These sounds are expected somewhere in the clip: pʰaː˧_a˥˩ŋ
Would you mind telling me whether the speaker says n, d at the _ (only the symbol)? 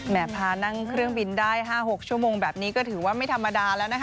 n